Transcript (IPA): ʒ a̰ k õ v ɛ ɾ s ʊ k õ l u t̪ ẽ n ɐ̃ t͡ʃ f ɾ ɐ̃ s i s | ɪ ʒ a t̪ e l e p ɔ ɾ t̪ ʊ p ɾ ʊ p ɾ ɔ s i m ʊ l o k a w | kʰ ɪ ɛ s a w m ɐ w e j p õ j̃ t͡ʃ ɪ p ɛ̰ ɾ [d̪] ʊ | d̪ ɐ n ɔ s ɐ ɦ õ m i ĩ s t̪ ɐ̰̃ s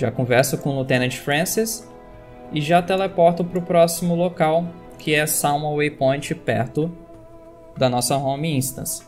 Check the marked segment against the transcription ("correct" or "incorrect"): incorrect